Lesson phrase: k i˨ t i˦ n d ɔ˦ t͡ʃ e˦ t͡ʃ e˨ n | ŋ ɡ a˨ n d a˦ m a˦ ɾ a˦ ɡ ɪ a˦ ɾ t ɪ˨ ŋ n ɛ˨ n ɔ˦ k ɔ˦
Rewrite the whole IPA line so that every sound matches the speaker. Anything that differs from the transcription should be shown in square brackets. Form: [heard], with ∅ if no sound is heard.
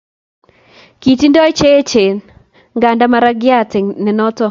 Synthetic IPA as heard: k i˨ t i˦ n d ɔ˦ t͡ʃ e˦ t͡ʃ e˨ n | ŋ ɡ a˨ n d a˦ m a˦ ɾ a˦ ɡ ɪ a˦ [∅] t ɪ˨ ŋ n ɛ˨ n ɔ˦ [t] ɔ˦